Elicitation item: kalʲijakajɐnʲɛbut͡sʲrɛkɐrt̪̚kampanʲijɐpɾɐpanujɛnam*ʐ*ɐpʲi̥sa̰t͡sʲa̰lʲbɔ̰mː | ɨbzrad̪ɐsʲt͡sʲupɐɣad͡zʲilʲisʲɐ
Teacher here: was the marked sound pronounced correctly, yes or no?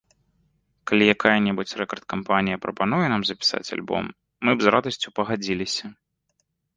no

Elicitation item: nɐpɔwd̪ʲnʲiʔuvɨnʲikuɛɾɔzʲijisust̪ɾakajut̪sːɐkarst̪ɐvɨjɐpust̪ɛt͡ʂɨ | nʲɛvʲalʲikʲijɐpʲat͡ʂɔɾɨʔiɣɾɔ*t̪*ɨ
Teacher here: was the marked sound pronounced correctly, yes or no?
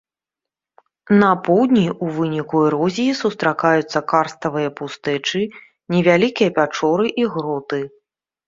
yes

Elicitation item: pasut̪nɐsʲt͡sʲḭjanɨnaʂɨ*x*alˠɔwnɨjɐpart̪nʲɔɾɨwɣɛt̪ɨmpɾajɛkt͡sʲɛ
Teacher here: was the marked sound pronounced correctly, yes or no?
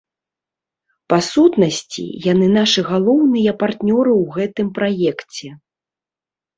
no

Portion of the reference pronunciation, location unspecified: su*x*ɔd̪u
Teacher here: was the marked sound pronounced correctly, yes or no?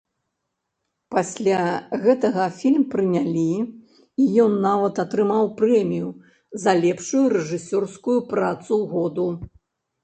no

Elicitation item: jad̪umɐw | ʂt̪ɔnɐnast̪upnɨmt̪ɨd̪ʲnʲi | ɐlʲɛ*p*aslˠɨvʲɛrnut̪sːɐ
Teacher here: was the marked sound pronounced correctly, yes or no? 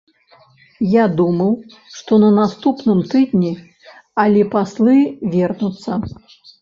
yes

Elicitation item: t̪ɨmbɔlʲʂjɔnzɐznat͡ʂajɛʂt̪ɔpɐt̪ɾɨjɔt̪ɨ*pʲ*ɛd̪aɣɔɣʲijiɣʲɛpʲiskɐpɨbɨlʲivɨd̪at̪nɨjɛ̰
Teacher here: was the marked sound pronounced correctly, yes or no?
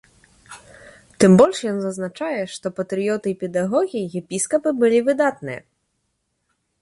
yes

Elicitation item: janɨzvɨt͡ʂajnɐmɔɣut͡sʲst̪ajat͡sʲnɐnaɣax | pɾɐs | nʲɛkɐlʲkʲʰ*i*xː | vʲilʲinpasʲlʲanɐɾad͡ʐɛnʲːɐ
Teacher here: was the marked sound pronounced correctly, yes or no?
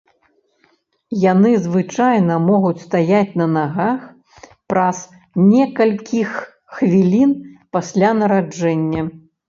yes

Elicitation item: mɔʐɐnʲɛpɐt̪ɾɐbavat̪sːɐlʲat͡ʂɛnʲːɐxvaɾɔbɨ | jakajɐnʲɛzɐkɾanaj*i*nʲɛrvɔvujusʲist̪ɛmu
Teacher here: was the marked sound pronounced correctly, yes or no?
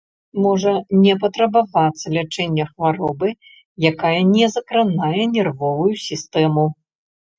no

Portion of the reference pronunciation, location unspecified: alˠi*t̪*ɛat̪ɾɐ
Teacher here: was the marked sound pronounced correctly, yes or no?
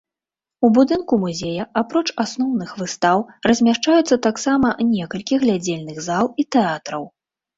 yes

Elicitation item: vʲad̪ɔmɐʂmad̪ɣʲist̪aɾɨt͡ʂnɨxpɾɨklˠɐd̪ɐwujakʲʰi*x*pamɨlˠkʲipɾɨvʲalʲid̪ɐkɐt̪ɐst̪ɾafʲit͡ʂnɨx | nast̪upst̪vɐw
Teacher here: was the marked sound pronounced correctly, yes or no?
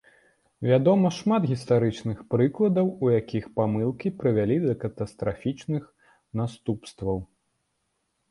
yes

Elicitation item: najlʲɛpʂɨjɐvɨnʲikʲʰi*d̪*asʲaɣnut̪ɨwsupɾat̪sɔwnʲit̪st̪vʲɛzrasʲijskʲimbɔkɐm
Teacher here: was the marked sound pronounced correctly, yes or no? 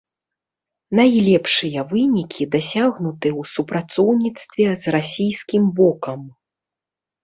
yes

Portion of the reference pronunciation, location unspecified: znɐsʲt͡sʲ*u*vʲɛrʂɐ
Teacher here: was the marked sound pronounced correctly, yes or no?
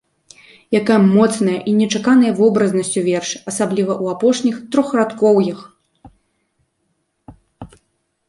yes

